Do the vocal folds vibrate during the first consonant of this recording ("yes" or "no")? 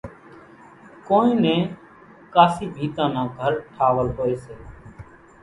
no